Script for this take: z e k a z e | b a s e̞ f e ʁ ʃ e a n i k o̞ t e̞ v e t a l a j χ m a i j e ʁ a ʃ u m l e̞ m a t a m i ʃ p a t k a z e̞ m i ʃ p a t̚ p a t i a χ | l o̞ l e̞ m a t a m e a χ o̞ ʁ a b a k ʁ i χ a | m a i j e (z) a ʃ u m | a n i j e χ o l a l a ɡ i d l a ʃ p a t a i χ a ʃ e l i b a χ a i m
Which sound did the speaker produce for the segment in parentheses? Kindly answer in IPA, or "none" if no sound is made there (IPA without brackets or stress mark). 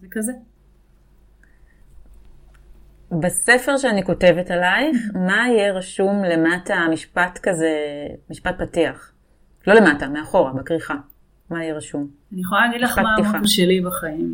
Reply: ʁ